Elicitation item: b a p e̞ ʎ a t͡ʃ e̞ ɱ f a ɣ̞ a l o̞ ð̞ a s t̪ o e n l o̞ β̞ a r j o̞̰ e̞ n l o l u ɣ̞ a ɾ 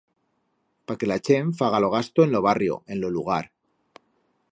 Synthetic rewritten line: p a k e̞ l a t͡ʃ e̞ ɱ f a ɣ̞ a l o̞ ɣ̞ a s t̪ o e n l o̞ β̞ a r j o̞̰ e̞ n l o l u ɣ̞ a ɾ